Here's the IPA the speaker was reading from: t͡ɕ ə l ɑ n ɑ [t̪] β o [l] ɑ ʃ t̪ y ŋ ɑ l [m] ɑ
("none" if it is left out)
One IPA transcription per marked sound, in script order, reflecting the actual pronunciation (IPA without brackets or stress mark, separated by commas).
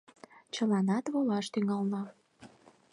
t̪, l, n